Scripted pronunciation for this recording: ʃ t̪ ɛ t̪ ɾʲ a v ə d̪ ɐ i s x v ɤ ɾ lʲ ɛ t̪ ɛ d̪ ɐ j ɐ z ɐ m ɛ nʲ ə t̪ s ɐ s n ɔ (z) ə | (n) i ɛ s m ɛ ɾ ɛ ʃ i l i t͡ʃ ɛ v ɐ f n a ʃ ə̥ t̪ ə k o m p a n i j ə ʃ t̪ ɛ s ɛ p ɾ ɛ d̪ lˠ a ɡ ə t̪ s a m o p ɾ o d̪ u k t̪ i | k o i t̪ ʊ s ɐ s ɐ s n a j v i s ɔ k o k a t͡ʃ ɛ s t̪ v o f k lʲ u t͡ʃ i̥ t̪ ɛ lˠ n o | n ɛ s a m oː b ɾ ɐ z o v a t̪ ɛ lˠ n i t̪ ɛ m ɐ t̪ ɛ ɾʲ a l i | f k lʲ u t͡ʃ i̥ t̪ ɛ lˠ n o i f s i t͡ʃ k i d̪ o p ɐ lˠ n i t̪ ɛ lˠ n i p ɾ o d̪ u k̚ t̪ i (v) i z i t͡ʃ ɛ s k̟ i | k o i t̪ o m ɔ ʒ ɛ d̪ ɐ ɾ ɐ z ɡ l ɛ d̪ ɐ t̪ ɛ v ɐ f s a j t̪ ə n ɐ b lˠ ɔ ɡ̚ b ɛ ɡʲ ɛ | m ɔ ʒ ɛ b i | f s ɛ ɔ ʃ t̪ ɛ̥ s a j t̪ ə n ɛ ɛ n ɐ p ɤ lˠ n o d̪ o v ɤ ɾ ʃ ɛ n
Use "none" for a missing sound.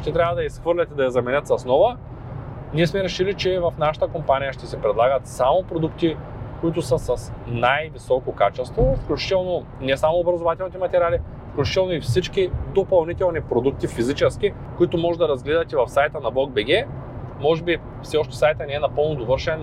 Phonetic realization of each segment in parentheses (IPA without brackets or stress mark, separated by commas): v, n, f